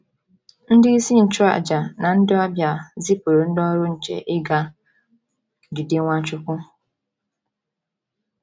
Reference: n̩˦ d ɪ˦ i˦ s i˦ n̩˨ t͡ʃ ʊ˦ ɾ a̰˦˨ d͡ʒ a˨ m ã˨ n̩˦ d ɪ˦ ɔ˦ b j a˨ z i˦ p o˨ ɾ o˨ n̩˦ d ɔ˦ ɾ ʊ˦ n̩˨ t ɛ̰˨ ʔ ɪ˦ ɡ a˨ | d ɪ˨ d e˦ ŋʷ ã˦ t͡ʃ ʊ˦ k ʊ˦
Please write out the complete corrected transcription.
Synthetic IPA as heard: n̩˦ d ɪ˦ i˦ s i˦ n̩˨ t͡ʃ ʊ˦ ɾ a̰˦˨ d͡ʒ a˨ n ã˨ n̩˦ d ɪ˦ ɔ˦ b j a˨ z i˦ p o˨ ɾ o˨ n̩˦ d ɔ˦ ɾ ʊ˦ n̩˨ t͡ʃ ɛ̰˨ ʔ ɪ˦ ɡ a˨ | d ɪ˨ d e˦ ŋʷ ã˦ t͡ʃ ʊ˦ k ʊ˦